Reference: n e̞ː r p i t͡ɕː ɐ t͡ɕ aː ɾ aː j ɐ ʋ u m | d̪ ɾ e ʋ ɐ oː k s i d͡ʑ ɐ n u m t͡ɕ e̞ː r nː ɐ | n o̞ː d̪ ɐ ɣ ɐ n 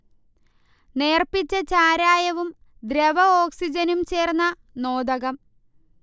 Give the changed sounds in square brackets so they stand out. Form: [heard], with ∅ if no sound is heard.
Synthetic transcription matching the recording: n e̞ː r p i t͡ɕː ɐ t͡ɕ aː ɾ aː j ɐ ʋ u m | d̪ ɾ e ʋ ɐ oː k s i d͡ʑ ɐ n u m t͡ɕ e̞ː r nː ɐ | n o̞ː d̪ ɐ ɣ ɐ [m]